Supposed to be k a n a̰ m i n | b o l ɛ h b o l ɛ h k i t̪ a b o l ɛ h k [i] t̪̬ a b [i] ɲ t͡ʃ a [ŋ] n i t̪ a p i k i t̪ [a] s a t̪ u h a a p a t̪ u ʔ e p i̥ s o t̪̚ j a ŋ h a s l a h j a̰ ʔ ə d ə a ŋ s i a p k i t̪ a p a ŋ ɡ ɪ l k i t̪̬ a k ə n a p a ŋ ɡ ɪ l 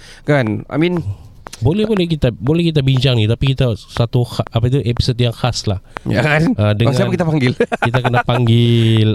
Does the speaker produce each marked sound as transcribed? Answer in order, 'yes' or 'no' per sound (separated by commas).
yes, yes, yes, yes